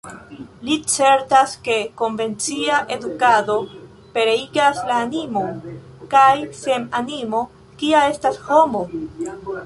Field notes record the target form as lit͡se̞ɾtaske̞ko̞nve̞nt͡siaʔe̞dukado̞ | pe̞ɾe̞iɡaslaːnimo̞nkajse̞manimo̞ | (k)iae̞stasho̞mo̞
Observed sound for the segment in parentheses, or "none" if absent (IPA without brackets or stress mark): k